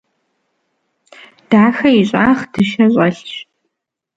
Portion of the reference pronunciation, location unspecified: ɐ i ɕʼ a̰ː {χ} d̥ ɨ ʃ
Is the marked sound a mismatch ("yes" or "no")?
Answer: no